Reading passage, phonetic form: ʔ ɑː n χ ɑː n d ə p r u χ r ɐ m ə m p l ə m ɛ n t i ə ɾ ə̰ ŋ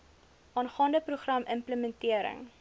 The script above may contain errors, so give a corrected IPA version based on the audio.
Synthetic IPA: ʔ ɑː n χ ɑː n d ə p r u χ r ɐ m ə m p l ə m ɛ n t i ə ɾ ə̰ ŋ